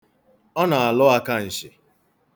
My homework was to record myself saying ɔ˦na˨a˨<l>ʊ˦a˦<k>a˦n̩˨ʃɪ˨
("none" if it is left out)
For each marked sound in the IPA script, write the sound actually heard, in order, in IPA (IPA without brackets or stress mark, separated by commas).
l, k